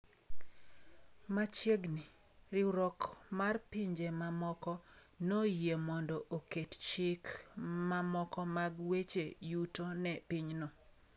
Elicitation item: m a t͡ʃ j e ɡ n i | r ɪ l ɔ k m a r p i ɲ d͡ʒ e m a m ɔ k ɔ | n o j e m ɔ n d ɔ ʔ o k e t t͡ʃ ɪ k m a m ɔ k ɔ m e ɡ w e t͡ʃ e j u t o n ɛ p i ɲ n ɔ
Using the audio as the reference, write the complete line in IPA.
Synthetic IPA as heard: m a t͡ʃ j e ɡ n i | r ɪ ɾ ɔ k m a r p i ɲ d͡ʒ e m a m ɔ k ɔ | n o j e m ɔ n d ɔ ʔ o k e t t͡ʃ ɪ k m a m ɔ k ɔ m a ɡ w e t͡ʃ e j u t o n ɛ p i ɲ n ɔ